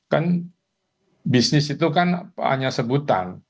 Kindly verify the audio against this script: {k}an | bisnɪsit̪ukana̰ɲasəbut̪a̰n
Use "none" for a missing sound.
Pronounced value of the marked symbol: k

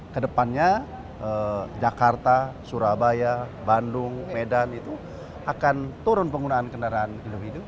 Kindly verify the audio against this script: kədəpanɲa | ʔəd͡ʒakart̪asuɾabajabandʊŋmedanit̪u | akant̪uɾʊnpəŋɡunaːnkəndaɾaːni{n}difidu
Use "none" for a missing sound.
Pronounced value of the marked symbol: n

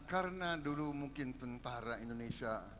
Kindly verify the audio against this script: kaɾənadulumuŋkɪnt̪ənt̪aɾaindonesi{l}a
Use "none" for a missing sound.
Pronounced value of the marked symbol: none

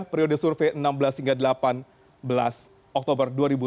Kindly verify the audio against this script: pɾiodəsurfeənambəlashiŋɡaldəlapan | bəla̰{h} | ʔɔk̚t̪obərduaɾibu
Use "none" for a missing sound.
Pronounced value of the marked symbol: s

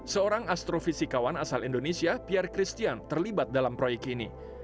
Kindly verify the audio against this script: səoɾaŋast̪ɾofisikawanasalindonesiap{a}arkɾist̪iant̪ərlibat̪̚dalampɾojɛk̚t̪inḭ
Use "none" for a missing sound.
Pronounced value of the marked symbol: i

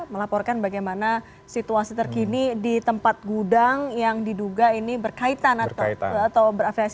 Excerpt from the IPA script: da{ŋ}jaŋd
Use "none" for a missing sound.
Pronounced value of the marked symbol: ŋ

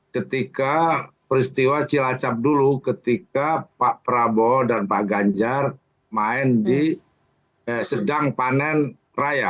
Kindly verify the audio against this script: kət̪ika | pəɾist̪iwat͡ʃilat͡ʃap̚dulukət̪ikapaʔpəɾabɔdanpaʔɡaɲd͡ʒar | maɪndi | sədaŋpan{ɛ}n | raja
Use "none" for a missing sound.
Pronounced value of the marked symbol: ɛ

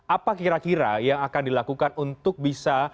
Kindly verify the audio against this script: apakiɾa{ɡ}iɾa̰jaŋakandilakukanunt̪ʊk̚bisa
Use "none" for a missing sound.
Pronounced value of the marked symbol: k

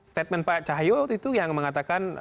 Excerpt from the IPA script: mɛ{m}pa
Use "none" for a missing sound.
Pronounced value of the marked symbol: n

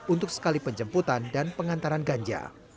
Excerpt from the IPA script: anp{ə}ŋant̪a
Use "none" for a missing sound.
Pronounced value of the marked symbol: ə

